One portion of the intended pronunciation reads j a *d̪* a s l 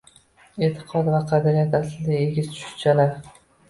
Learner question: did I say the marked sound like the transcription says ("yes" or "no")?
no